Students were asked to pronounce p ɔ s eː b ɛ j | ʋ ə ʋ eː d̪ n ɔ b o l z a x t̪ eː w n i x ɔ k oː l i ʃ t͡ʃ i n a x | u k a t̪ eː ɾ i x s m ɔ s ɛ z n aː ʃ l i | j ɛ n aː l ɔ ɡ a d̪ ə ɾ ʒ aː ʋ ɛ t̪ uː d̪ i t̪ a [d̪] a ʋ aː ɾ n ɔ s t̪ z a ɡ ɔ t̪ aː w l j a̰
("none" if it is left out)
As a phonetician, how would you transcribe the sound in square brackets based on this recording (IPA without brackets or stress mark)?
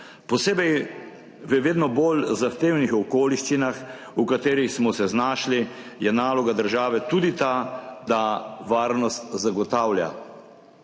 d̪